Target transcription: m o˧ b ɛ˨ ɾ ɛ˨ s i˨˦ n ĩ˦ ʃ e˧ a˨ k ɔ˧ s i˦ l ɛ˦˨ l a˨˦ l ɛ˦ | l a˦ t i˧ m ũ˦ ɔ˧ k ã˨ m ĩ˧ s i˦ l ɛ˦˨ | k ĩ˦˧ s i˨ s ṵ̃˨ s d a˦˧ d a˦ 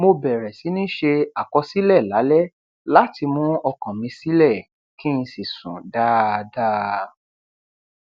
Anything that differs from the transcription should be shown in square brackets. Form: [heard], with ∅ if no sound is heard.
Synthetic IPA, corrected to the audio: m o˧ b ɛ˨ ɾ ɛ˨ s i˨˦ n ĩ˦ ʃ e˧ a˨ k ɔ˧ s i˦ l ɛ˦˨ l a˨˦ l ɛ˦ | l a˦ t i˧ m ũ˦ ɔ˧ k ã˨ m ĩ˧ s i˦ l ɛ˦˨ | k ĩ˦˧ s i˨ s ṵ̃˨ [∅] d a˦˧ d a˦